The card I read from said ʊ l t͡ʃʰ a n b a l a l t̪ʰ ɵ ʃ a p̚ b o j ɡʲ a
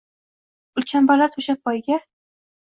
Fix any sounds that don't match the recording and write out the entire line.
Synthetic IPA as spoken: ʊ l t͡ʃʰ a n b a l a ɾ t̪ʰ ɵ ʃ a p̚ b ɒ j ɡʲ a